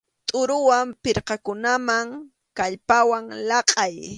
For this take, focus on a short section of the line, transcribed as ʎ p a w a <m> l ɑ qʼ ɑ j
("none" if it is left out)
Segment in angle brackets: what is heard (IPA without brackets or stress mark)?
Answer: ŋ